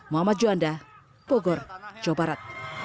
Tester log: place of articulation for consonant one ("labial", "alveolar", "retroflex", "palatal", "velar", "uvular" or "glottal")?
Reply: labial